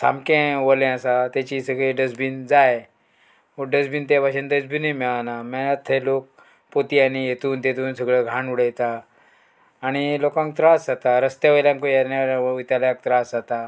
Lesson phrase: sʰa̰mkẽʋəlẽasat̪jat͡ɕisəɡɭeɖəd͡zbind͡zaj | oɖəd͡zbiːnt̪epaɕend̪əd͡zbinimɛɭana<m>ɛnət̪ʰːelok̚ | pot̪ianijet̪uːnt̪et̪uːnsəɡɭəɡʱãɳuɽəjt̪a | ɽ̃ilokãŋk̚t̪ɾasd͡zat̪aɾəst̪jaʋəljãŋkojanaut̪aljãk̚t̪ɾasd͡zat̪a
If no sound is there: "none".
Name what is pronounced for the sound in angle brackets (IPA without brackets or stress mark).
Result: m